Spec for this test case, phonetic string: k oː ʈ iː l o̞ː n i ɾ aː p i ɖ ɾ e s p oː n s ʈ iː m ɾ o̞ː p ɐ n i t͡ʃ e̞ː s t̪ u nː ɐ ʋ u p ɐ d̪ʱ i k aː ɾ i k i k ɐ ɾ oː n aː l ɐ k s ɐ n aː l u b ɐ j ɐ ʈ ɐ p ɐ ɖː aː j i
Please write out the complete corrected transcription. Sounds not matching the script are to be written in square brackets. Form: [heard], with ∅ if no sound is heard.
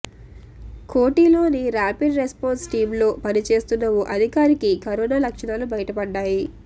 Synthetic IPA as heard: k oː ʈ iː l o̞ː n i ɾ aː p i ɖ ɾ e s p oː n s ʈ iː m [l] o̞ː p ɐ n i t͡ʃ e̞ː s t̪ u nː ɐ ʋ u [ʔ] ɐ d̪ʱ i k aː ɾ i k i k ɐ ɾ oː n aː l ɐ k [ʂ] ɐ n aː l u b ɐ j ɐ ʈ ɐ p ɐ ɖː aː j i